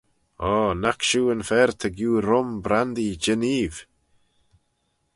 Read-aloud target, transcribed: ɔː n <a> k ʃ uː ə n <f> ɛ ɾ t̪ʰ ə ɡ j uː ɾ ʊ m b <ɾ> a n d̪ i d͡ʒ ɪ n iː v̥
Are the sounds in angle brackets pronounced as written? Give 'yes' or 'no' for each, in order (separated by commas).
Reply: yes, yes, yes